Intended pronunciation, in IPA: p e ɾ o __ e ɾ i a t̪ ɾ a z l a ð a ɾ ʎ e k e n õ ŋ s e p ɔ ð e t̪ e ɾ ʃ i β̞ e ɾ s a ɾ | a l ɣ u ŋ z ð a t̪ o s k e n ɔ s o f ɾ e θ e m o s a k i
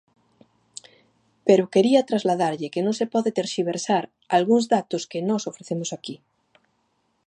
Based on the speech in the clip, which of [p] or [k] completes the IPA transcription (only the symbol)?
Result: k